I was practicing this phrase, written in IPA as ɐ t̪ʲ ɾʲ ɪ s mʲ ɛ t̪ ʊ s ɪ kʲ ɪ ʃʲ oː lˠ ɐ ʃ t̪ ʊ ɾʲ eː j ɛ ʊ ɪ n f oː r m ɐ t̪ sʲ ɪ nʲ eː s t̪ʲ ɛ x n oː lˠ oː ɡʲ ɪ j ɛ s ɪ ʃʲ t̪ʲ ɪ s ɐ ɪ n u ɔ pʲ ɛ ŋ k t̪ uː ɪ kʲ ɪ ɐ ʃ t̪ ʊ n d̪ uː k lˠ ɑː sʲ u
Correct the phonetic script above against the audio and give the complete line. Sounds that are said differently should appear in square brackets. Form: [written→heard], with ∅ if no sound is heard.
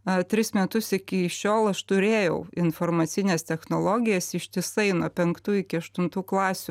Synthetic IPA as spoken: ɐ t̪ʲ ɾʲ ɪ s mʲ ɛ t̪ ʊ s ɪ kʲ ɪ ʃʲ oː lˠ ɐ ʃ t̪ ʊ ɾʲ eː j ɛ ʊ ɪ n f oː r m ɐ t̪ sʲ ɪ nʲ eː s t̪ʲ ɛ x n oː lˠ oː ɡʲ ɪ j ɛ s ɪ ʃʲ t̪ʲ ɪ s ɐ ɪ n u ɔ pʲ ɛ ŋ k t̪ uː ɪ kʲ ɪ ɐ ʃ t̪ ʊ n [d̪→t̪] uː k lˠ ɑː sʲ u